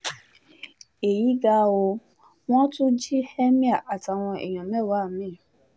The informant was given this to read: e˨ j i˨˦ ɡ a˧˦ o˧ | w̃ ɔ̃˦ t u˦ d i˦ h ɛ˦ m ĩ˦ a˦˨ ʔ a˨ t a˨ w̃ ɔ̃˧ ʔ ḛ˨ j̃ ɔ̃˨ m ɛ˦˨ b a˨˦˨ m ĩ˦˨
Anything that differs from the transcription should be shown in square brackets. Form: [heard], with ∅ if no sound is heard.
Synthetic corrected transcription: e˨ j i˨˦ ɡ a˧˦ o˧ | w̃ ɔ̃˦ t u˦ [d͡ʒ] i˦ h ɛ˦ m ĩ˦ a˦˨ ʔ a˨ t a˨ w̃ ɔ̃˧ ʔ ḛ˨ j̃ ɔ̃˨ m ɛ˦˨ [w] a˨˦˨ m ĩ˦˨